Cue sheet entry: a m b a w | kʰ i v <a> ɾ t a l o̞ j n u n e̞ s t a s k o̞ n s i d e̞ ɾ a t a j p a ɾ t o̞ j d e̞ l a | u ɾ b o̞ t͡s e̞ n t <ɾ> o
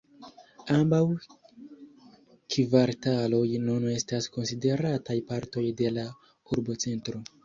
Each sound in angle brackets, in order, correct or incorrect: correct, correct

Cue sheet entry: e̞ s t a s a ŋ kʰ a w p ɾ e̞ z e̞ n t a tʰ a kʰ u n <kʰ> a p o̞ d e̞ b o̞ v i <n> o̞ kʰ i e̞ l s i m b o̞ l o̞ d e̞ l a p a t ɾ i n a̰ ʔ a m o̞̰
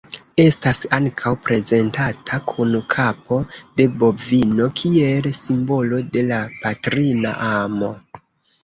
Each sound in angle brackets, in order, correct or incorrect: correct, correct

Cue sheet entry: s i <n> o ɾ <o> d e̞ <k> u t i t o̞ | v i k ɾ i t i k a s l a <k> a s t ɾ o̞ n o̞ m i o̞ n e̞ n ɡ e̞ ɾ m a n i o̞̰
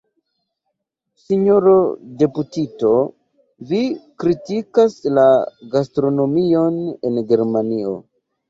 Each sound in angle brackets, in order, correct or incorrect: incorrect, correct, incorrect, incorrect

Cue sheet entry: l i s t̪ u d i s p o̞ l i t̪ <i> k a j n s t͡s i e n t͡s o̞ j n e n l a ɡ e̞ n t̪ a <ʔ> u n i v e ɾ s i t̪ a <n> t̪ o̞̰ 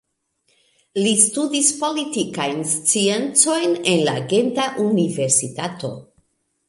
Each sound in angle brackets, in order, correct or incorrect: correct, correct, incorrect

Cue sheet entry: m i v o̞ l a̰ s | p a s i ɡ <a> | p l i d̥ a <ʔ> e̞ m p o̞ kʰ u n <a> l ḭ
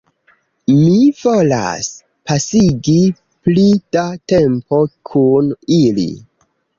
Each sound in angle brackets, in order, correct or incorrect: incorrect, incorrect, incorrect

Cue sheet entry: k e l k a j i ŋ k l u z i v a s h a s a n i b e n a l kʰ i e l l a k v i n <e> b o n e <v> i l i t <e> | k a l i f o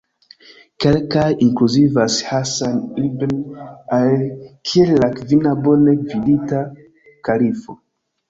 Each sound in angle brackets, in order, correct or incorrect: incorrect, correct, incorrect

